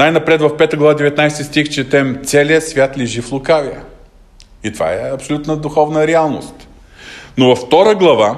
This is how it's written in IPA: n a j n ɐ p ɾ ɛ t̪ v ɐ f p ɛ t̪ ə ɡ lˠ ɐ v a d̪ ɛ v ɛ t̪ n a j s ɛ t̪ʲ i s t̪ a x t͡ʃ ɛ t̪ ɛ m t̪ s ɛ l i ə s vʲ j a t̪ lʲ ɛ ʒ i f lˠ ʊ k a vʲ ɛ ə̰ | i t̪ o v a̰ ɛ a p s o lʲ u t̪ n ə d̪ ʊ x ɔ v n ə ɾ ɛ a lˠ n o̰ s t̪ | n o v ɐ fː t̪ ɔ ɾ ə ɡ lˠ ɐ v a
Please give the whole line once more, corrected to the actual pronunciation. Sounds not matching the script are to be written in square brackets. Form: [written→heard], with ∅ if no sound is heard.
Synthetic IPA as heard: n a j n ɐ p ɾ ɛ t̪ v ɐ f p ɛ t̪ ə ɡ lˠ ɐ v a d̪ ɛ v ɛ t̪ n a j s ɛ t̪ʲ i s t̪ [a→i] x t͡ʃ ɛ t̪ ɛ m t̪ s ɛ l i ə s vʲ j a t̪ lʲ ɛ ʒ i f lˠ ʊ k a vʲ [ɛ→i] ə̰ | i t̪ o v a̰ ɛ [a→ɐ] p s o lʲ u t̪ n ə d̪ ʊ x ɔ v n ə ɾ ɛ a lˠ n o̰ s t̪ | n o v ɐ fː t̪ ɔ ɾ ə ɡ lˠ ɐ v a